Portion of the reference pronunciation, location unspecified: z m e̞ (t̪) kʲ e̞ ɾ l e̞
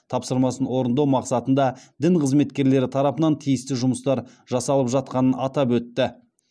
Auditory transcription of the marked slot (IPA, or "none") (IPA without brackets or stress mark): t̪